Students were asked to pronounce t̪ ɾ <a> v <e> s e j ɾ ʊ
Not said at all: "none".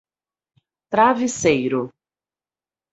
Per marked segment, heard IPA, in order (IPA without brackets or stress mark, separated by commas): a, i